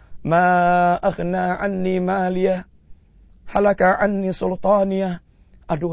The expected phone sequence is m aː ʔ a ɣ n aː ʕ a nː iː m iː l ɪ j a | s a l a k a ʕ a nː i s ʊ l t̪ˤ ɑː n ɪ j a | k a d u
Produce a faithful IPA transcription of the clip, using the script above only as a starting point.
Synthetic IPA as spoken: m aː ʔ a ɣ n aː ʕ a nː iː m aː l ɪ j a | h a l a k a ʕ a nː i s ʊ l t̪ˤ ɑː n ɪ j a | ʔ a d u